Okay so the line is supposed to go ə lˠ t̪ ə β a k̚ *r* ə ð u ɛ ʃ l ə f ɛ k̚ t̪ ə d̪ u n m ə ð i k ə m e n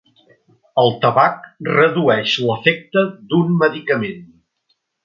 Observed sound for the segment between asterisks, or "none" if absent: r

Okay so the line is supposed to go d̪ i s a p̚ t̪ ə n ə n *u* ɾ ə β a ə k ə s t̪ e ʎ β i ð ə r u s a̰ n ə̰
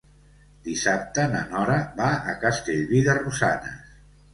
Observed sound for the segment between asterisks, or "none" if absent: ɔ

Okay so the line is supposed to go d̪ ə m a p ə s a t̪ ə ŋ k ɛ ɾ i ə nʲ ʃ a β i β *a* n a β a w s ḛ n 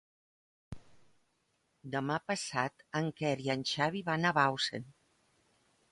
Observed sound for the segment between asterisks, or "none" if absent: a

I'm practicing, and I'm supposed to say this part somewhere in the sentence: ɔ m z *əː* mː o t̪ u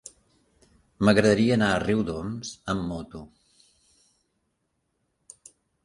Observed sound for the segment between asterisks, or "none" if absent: ə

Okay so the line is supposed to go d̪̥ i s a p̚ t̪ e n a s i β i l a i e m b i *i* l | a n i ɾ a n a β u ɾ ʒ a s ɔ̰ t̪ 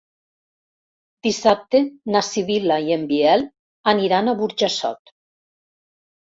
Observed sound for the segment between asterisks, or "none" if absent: ɛ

